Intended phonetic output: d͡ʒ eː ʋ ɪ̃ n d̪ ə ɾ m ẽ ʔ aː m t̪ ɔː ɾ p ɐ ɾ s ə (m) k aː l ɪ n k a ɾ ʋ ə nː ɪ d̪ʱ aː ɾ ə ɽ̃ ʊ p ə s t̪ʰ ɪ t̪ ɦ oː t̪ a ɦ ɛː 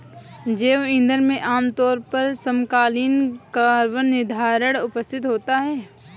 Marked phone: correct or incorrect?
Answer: correct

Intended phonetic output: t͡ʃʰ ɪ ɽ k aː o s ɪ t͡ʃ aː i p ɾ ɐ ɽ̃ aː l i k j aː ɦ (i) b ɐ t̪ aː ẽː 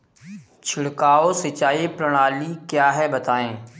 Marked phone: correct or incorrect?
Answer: incorrect: ɛ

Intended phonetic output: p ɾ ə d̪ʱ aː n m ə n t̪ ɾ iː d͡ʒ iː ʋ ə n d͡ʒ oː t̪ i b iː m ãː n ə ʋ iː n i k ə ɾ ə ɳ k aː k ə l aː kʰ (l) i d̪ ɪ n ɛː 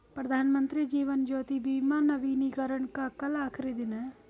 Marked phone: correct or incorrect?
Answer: incorrect: ɾ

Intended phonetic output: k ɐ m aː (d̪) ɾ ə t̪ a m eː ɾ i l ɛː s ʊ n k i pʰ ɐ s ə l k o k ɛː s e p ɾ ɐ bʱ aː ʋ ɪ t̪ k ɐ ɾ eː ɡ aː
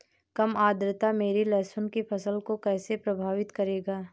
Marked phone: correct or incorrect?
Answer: correct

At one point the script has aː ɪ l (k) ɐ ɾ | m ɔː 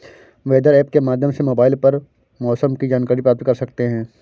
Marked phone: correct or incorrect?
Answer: incorrect: p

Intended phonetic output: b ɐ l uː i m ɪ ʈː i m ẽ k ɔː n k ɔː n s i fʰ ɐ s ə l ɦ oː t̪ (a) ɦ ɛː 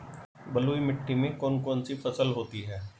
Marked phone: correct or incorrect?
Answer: incorrect: i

